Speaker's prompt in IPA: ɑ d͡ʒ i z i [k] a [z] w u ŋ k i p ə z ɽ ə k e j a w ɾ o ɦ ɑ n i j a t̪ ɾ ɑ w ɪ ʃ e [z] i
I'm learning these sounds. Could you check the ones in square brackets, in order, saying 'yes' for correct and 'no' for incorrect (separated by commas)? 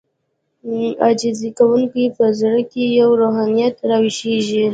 yes, no, no